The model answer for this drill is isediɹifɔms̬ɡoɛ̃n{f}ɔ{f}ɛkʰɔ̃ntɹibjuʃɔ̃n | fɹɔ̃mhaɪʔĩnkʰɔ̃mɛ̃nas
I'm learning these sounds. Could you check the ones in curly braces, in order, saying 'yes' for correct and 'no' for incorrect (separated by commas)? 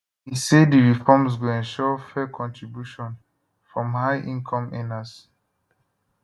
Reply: no, yes